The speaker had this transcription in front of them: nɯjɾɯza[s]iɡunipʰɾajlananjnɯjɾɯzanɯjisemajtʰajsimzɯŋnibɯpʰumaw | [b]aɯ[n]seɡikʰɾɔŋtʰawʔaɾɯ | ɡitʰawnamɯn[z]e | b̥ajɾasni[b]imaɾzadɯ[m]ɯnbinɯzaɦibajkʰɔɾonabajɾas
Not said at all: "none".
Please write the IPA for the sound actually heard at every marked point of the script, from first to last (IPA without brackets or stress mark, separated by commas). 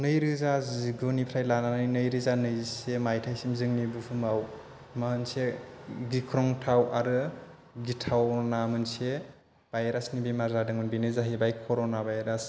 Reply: z, m, n, s, b, ŋ